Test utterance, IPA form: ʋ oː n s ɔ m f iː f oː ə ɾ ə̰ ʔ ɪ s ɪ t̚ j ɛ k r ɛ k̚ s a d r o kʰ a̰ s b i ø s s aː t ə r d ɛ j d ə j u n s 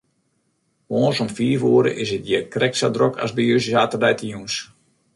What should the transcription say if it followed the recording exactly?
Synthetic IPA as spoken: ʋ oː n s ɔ m f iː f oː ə ɾ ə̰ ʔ ɪ s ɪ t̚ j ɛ k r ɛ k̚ s a d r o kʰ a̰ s b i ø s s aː t ə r d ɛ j t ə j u n s